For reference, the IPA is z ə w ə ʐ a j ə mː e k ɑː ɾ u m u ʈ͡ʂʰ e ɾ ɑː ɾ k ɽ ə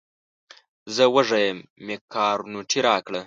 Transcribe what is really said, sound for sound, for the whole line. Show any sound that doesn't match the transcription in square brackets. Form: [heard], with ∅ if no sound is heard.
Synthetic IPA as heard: z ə w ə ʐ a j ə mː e k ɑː ɾ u [n] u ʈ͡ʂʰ [i] ɾ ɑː [∅] k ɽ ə